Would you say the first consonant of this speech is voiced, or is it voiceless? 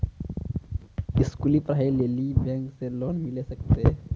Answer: voiceless